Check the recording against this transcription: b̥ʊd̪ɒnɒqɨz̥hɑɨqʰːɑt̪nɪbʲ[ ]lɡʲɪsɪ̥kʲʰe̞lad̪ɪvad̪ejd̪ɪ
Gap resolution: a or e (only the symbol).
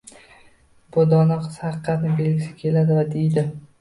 e